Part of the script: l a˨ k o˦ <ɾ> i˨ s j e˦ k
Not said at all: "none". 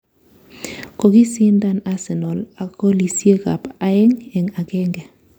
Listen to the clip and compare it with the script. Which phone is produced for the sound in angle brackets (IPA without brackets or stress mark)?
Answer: l